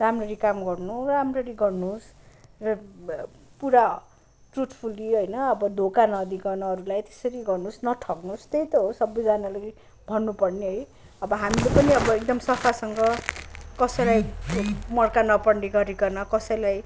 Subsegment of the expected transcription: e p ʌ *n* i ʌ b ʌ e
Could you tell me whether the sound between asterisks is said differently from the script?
no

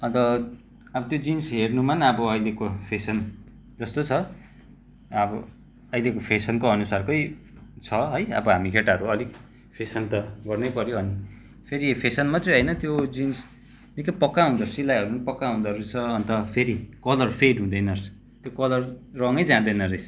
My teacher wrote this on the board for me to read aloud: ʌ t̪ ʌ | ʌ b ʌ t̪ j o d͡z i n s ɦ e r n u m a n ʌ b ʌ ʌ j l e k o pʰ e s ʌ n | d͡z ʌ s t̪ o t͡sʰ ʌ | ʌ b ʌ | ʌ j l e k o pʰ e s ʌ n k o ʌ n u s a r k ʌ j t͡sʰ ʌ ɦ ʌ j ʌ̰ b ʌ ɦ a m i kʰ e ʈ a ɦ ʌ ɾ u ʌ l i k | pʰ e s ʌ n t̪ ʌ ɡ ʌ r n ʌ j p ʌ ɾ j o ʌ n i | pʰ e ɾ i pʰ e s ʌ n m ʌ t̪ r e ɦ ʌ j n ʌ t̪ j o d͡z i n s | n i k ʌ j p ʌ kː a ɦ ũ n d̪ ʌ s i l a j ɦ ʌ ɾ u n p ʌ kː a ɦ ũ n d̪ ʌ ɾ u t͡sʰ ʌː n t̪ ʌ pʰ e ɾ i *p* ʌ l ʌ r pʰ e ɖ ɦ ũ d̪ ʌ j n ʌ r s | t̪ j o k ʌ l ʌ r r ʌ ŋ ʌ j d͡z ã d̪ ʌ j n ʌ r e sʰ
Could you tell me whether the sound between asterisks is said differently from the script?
yes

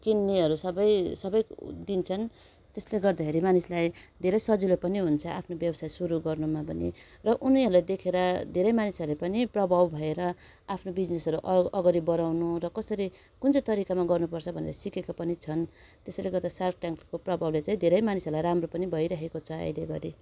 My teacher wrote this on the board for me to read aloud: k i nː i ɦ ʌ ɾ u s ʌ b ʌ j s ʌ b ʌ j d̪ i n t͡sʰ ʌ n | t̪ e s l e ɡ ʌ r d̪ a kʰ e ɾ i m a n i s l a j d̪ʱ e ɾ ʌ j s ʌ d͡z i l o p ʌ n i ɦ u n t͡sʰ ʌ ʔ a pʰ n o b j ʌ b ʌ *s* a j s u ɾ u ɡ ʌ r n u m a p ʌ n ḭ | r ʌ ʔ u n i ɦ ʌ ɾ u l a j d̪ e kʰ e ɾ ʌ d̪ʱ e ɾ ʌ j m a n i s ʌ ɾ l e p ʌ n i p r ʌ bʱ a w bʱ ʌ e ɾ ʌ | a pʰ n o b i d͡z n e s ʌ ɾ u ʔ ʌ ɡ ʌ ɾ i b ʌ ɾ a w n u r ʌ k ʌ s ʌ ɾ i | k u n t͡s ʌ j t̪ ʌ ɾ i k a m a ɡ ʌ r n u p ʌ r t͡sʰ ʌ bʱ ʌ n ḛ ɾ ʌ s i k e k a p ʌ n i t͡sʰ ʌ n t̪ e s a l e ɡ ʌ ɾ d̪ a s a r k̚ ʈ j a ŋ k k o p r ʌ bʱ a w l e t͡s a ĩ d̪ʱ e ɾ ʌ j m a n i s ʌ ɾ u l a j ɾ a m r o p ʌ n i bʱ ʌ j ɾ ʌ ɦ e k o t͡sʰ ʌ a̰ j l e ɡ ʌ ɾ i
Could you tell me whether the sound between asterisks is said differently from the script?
no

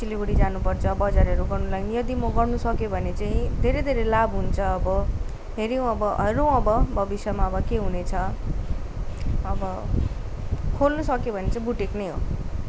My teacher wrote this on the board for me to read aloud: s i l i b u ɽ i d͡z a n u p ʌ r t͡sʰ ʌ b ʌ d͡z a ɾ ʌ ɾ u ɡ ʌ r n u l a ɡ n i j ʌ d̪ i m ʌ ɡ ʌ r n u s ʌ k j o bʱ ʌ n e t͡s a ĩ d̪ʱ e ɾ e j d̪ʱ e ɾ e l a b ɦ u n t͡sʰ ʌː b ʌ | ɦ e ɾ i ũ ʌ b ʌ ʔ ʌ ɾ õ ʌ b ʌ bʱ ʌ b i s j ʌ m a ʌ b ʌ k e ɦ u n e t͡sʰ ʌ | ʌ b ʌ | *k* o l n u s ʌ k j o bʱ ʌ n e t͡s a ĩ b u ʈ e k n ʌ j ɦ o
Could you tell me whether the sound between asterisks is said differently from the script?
yes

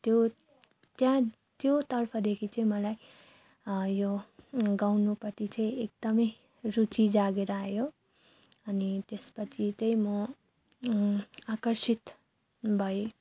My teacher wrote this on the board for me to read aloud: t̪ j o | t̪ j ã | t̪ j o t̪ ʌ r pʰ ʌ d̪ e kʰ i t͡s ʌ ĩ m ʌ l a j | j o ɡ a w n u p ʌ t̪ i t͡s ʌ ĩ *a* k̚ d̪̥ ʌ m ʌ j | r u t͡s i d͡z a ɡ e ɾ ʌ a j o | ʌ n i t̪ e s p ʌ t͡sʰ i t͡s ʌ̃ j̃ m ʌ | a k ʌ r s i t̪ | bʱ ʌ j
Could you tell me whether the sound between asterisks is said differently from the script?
yes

